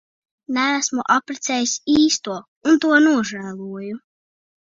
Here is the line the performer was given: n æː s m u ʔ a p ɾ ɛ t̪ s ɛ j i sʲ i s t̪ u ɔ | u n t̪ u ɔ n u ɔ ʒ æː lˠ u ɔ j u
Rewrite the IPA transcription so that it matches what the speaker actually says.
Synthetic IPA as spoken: n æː s m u ʔ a p ɾ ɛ t̪ s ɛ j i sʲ iː s t̪ u ɔ | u n t̪ u ɔ n u ɔ ʒ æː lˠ u ɔ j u